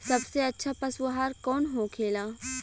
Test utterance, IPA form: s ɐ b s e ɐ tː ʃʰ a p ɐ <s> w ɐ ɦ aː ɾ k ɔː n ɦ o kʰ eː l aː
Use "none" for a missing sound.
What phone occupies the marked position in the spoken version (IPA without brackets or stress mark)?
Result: s